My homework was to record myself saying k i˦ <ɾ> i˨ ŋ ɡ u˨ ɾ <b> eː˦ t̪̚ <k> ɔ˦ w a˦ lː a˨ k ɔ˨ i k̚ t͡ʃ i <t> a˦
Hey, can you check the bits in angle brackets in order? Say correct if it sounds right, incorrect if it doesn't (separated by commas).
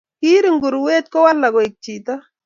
correct, incorrect, correct, correct